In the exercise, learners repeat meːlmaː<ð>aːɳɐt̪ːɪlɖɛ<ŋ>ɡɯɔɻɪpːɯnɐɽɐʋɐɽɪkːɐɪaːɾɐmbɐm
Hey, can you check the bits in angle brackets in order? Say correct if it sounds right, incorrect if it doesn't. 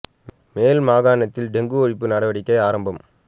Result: incorrect: ɣ, correct

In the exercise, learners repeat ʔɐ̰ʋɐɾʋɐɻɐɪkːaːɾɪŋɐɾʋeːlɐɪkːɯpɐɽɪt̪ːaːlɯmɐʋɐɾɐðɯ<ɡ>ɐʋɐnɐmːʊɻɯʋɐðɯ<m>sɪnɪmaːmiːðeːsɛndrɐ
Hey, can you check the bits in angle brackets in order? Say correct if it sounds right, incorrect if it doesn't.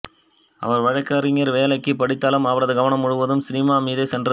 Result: correct, correct

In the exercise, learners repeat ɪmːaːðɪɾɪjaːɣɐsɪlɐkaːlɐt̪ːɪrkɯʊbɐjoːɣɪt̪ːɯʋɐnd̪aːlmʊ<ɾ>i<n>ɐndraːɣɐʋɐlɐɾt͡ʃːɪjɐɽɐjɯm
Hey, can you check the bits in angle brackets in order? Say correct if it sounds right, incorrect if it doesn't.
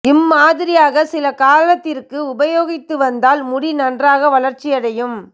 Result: incorrect: ɽ, correct

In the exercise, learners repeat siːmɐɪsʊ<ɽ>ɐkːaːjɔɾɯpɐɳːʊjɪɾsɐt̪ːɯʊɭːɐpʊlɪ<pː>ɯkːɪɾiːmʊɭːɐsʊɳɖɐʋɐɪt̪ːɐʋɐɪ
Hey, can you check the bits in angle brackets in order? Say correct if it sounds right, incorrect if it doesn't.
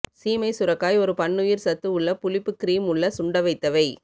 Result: incorrect: ɾ, correct

